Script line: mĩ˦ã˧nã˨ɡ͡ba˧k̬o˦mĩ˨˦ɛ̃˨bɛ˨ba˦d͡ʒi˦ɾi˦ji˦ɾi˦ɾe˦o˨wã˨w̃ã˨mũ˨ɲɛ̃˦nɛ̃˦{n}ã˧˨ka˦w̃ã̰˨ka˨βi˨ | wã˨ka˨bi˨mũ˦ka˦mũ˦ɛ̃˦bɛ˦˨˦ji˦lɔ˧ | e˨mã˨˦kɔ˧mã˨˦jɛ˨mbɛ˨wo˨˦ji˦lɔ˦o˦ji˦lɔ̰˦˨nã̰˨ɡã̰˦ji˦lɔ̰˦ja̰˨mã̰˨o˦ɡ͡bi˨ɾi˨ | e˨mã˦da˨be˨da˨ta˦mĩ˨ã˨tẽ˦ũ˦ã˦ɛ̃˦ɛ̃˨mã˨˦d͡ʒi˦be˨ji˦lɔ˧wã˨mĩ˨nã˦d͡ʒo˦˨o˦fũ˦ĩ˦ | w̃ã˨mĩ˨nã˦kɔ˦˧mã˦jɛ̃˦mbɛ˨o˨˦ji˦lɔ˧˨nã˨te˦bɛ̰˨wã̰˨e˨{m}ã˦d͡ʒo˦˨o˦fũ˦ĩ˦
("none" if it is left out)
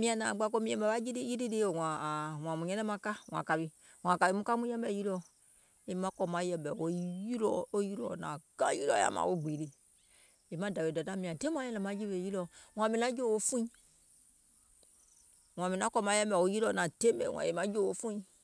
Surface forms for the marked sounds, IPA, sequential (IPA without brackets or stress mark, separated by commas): m, m